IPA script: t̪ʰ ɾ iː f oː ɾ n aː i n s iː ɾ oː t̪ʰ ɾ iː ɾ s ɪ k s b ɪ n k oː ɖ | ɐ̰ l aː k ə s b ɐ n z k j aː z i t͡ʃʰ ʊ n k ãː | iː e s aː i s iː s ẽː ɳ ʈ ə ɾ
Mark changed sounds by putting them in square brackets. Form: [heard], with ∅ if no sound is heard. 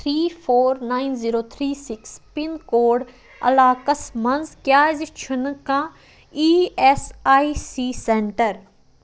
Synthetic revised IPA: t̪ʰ ɾ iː f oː ɾ n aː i n [z] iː ɾ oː t̪ʰ ɾ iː [∅] s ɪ k s [p] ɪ n k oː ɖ | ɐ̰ l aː k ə s [m] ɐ n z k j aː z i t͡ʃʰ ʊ n k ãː | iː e s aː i s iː s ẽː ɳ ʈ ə ɾ